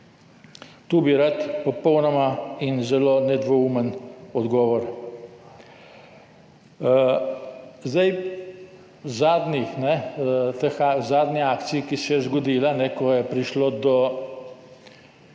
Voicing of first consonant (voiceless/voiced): voiceless